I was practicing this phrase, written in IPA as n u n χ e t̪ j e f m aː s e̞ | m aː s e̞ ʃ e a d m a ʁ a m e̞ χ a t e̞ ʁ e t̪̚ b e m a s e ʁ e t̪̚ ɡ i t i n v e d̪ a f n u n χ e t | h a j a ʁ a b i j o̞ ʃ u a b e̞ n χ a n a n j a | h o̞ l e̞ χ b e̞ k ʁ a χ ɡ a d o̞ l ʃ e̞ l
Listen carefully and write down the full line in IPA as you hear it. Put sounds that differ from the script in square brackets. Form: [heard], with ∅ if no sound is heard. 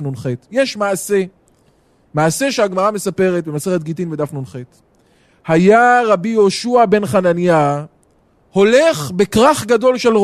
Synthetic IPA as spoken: n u n χ e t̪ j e [ʃ] m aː s e̞ | m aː s e̞ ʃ e a [ɡ] m a ʁ a m e̞ [s] a [p] e̞ ʁ e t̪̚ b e m a s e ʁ e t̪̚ ɡ i t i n v e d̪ a f n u n χ e t | h a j a ʁ a b i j o̞ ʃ u a b e̞ n χ a n a n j a | h o̞ l e̞ χ b e̞ k ʁ a χ ɡ a d o̞ l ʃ e̞ l